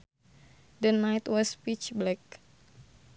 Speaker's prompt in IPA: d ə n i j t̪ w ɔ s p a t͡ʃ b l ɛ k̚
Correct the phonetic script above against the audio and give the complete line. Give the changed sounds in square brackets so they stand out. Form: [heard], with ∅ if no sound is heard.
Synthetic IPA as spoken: d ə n [a] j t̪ w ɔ s p [i] t͡ʃ b l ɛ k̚